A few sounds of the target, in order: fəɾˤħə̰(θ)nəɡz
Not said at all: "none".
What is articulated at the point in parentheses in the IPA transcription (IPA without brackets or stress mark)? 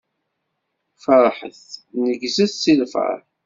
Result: θ